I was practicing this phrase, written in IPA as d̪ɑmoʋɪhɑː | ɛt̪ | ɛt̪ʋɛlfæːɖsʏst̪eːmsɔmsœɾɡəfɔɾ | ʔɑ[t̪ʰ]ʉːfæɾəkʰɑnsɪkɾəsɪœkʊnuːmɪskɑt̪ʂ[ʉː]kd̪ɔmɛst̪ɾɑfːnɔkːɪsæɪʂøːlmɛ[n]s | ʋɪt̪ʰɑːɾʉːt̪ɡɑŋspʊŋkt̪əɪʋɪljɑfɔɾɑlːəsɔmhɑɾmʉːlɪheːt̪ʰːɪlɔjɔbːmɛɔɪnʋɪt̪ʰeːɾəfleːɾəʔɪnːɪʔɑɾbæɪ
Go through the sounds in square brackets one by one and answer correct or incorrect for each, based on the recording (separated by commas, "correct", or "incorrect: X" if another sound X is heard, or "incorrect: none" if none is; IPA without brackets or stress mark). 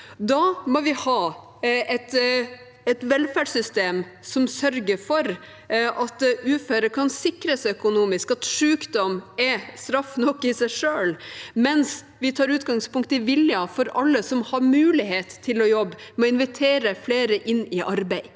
incorrect: t̪, correct, correct